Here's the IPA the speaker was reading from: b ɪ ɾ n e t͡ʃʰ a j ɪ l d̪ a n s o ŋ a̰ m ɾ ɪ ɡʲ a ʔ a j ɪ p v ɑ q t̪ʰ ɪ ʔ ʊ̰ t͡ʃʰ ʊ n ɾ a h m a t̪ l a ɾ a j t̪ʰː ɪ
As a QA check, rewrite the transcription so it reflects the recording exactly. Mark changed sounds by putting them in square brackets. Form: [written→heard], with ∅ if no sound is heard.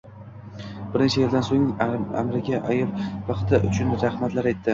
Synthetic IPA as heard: b ɪ ɾ n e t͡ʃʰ a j ɪ l d̪ a n s o ŋ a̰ m ɾ ɪ ɡʲ a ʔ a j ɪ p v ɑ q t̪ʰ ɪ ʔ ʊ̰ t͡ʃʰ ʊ n ɾ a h m a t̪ l a ɾ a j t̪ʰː ɪ

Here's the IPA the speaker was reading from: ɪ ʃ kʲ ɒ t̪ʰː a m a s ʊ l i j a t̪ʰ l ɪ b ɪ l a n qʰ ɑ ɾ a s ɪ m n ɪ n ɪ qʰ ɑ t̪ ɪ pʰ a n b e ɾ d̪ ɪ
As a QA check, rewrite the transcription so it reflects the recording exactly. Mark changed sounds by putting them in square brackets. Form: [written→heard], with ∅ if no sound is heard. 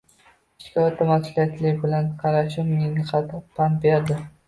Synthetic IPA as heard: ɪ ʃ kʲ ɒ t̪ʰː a m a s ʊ l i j a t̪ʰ l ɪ b ɪ l a n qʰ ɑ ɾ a [s→ʃ] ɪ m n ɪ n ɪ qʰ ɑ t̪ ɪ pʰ a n b e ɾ d̪ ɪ

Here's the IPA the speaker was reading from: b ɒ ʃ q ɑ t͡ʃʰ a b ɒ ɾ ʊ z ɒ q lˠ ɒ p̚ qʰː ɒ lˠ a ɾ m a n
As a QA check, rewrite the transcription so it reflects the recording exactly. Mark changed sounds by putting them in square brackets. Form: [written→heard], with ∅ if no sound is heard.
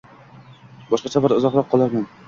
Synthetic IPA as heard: b ɒ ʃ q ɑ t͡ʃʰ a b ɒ ɾ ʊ z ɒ q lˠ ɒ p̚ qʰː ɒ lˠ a ɾ m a n

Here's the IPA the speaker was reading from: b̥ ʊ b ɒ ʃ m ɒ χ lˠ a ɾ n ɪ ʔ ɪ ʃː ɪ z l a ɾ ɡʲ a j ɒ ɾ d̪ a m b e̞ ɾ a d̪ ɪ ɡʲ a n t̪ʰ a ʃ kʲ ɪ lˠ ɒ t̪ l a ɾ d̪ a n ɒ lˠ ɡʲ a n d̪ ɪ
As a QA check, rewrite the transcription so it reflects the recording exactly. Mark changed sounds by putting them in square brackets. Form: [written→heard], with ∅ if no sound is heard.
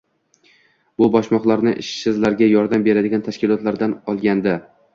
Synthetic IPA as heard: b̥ ʊ b ɒ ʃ m ɒ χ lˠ a ɾ n ɪ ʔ ɪ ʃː ɪ z l a ɾ ɡʲ a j ɒ ɾ d̪ a m b e̞ ɾ a d̪ ɪ ɡʲ a n t̪ʰ a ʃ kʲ ɪ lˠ ɒ t̪ l a ɾ d̪ a n ɒ lˠ ɡʲ a n d̪ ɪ

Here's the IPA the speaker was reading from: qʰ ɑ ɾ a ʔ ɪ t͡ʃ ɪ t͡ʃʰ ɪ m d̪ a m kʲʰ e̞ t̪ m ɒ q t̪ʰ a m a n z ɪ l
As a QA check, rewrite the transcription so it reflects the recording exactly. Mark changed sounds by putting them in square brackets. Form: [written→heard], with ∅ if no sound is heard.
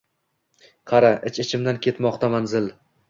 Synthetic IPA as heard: qʰ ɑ ɾ a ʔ ɪ t͡ʃ ɪ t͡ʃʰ ɪ m d̪ a [m→n] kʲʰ e̞ t̪ m ɒ q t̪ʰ a m a n z ɪ l

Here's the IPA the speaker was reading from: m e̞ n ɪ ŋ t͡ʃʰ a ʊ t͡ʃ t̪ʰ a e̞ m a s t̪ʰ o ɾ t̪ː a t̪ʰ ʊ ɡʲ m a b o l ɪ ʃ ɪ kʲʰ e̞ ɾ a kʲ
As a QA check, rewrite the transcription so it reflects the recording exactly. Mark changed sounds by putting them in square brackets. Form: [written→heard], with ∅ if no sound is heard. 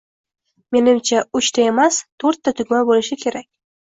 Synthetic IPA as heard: m e̞ n ɪ [ŋ→m] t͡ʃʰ a ʊ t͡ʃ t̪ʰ a e̞ m a s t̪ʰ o ɾ t̪ː a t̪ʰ ʊ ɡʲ m a b o l ɪ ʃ ɪ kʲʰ e̞ ɾ a kʲ

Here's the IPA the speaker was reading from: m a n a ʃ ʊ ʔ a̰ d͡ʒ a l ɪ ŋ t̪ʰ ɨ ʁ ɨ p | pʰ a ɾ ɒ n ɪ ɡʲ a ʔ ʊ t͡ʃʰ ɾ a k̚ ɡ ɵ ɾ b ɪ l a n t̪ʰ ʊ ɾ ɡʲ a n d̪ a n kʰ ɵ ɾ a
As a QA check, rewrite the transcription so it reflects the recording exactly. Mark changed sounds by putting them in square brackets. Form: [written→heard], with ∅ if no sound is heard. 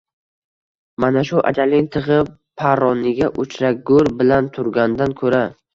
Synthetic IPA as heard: m a n a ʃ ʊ ʔ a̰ d͡ʒ a l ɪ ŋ t̪ʰ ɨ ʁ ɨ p | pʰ a ɾ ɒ n ɪ ɡʲ a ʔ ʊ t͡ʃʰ ɾ a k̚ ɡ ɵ ɾ b ɪ l a n t̪ʰ ʊ ɾ ɡʲ a n d̪ a n kʰ ɵ ɾ a

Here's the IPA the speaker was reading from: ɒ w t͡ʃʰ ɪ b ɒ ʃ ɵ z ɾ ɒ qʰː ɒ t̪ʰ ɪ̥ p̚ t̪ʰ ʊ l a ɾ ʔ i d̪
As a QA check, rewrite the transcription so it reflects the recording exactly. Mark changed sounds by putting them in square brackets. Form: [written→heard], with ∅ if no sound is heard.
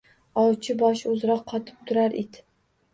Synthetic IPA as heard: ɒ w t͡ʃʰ ɪ b ɒ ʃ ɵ z ɾ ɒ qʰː ɒ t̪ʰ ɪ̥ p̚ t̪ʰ ʊ [l→ɾ] a ɾ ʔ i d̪

